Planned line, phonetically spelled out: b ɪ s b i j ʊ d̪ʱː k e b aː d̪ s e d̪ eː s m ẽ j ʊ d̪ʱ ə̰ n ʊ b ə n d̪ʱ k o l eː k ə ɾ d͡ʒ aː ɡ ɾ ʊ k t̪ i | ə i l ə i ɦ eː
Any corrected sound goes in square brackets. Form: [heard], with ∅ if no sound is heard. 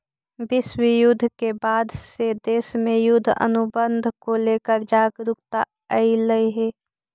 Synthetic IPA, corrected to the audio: b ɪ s [w] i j ʊ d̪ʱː k e b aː d̪ s e d̪ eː s m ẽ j ʊ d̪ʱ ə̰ n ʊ b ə n d̪ʱ k o l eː k ə ɾ d͡ʒ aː ɡ ɾ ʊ k t̪ [a] | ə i l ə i ɦ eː